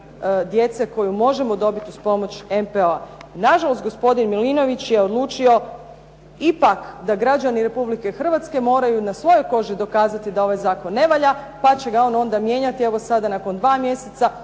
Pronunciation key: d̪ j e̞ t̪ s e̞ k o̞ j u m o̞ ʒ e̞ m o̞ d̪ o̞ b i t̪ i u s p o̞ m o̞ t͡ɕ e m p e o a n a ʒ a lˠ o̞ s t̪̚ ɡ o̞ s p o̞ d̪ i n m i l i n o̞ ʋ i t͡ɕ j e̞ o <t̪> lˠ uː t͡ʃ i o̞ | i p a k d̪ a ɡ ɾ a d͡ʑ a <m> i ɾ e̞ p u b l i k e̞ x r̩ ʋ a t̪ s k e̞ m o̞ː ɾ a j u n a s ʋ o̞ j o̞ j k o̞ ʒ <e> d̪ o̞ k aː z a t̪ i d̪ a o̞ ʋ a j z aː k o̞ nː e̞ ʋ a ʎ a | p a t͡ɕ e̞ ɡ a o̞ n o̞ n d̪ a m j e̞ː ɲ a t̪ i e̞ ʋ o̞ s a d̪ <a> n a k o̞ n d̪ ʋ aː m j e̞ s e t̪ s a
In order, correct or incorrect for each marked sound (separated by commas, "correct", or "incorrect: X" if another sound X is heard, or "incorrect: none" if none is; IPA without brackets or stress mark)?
incorrect: d̪, incorrect: n, incorrect: i, correct